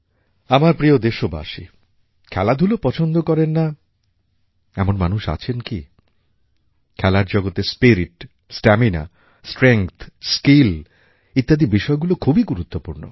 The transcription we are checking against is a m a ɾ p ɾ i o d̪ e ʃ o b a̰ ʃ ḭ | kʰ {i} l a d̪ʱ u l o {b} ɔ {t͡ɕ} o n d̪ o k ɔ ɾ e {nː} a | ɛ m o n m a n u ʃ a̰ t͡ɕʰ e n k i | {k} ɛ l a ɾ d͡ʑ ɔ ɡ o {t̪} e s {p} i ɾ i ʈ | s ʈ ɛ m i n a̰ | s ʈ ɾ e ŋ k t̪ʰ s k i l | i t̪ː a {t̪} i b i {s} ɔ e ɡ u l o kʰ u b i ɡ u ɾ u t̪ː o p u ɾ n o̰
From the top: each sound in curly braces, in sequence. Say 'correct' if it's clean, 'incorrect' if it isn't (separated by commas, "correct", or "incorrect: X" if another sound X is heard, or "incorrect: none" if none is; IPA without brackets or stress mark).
incorrect: ɛ, incorrect: p, incorrect: t͡ɕʰ, correct, incorrect: kʰ, correct, correct, incorrect: d̪, incorrect: ʃ